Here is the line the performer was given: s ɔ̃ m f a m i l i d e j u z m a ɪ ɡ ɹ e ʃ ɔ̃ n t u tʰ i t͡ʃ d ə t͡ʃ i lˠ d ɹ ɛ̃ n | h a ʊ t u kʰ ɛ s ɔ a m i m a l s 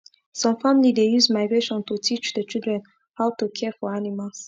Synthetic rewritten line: s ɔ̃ m f a m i l i d e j u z m a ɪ ɡ ɹ e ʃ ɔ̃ n t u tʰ i t͡ʃ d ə t͡ʃ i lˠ d ɹ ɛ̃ n | h a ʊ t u kʰ ɛ f ɔ a n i m a l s